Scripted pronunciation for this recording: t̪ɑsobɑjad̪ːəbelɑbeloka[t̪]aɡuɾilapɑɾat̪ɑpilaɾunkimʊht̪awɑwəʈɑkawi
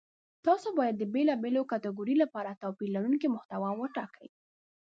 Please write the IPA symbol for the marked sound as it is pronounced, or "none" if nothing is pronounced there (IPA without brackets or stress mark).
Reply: t̪